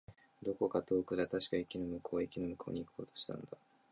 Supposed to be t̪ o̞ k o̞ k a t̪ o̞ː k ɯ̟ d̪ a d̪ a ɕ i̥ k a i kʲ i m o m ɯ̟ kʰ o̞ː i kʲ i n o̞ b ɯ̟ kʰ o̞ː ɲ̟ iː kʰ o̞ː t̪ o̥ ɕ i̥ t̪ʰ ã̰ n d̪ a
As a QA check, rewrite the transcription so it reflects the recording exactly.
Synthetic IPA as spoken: d̪ o̞ k o̞ k a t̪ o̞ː k ɯ̟ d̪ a t̪ a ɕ i̥ k a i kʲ i n o m ɯ̟ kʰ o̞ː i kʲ i n o̞ m ɯ̟ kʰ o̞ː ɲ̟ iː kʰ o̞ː t̪ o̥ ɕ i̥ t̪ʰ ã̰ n d̪ a